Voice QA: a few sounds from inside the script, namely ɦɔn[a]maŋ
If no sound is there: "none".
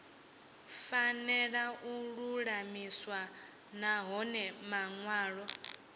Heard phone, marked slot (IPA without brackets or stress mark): ɛ